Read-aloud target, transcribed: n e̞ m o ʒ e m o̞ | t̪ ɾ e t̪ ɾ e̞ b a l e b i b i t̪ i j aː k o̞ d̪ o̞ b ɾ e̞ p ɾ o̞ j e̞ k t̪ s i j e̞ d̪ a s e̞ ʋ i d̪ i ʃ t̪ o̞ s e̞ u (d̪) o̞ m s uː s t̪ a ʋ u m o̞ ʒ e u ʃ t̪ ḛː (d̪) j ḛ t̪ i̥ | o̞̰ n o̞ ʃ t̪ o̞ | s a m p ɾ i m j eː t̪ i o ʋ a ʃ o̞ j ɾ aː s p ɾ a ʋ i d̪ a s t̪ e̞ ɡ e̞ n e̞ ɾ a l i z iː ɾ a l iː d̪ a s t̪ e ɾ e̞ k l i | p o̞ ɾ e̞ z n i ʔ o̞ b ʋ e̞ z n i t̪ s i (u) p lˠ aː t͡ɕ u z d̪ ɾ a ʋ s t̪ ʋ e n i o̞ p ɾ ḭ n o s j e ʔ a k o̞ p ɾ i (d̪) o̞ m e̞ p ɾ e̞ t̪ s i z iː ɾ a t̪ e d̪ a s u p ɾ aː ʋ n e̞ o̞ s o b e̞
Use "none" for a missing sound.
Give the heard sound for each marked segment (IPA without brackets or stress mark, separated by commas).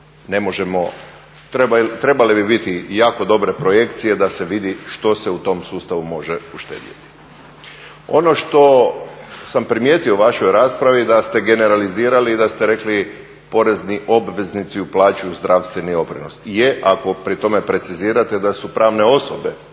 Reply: t̪, d̪, u, t̪